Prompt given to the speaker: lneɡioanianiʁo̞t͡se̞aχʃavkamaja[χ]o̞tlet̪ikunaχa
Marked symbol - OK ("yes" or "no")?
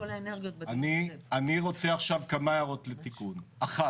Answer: no